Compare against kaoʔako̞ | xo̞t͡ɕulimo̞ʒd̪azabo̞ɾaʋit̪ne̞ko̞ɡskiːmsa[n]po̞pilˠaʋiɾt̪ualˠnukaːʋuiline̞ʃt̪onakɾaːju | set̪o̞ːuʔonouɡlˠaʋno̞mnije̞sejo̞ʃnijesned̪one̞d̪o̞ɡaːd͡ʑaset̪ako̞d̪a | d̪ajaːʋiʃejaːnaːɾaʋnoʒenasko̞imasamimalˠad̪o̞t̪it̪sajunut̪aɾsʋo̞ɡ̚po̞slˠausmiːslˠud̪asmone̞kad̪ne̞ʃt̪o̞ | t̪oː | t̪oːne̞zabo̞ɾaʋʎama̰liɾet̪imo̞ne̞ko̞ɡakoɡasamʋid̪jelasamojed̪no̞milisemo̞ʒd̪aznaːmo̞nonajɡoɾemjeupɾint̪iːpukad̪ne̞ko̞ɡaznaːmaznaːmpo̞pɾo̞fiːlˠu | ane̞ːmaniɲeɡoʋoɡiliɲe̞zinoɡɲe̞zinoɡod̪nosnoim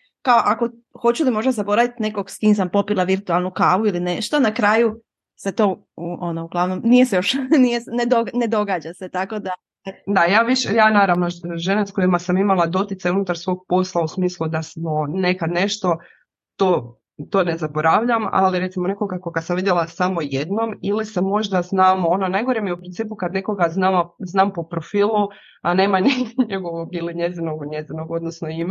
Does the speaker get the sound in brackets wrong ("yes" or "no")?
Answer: yes